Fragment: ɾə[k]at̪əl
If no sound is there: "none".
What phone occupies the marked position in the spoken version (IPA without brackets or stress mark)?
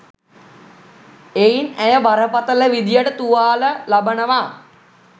p